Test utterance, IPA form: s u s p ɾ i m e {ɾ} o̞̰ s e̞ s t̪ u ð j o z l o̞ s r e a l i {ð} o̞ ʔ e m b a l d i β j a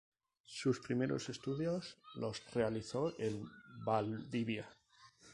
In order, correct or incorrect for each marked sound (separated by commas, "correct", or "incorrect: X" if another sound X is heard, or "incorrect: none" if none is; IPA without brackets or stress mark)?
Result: correct, incorrect: θ